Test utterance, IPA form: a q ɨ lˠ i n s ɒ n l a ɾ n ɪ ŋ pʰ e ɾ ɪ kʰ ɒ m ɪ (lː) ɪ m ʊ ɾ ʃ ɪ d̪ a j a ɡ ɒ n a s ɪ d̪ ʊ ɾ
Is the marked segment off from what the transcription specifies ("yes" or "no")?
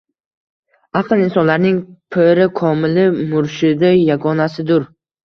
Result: yes